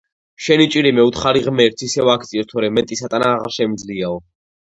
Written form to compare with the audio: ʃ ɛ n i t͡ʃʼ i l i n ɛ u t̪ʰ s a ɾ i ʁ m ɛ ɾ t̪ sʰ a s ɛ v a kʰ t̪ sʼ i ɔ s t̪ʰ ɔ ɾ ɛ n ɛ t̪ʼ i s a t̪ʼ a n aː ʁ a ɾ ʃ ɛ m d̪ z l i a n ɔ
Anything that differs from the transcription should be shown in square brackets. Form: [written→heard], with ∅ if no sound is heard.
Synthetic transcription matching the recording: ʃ ɛ n i t͡ʃʼ i [l→ɾ] i [n→m] ɛ u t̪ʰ [s→χ] a ɾ i ʁ m ɛ ɾ t̪ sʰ [a→i] s ɛ v a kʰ t̪ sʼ i ɔ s t̪ʰ ɔ ɾ ɛ [n→m] ɛ t̪ʼ i s a t̪ʼ a n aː ʁ a ɾ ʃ ɛ m d̪ z l i a [n→∅] ɔ